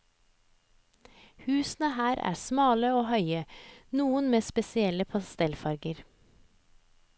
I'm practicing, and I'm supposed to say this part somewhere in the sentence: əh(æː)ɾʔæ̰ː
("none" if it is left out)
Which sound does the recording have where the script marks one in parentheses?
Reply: æː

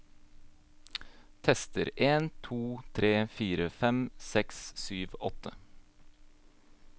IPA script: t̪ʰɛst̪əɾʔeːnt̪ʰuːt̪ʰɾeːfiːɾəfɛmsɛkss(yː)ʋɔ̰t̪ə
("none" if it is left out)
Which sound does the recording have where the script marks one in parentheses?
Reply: yː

